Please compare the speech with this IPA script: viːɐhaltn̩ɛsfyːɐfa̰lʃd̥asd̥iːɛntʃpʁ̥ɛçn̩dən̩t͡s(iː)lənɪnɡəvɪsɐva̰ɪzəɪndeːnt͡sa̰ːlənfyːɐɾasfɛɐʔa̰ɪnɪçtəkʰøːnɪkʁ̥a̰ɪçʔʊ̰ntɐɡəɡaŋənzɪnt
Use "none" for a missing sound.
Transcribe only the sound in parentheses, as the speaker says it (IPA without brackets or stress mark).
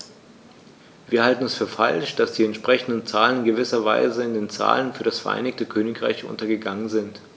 aː